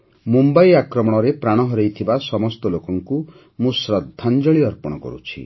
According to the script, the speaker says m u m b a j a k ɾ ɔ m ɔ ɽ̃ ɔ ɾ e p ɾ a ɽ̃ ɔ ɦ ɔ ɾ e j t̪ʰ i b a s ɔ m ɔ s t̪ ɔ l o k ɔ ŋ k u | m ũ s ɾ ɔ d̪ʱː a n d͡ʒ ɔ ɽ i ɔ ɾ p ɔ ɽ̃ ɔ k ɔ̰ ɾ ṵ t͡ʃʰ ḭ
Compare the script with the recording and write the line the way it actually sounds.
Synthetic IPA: m u m b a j a k ɾ ɔ m ɔ ɽ̃ ɔ ɾ e p ɾ a ɽ̃ ɔ ɦ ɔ ɾ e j t̪ʰ i b a s ɔ m ɔ s t̪ ɔ l o k ɔ ŋ k u | m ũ s ɾ ɔ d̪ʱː a n d͡ʒ ɔ ɭ i ɔ ɾ p ɔ ɽ̃ ɔ k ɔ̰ ɾ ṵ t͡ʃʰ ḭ